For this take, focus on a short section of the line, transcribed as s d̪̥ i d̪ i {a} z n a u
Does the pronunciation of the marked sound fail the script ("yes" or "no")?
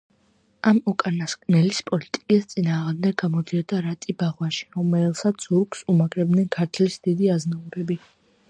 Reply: no